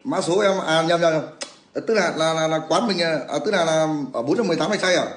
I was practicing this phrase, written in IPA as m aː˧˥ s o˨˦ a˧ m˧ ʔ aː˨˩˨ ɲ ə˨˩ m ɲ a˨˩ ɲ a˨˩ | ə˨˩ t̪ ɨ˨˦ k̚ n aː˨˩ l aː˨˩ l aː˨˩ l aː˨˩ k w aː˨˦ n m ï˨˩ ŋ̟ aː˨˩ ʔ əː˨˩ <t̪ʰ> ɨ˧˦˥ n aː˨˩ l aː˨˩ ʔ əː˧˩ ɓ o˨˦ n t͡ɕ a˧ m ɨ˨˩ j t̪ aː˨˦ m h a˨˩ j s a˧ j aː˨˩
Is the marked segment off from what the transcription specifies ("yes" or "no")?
yes